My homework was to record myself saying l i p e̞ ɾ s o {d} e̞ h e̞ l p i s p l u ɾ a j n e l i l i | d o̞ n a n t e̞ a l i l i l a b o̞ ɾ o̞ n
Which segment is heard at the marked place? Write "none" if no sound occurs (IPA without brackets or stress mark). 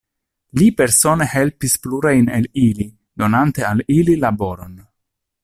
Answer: n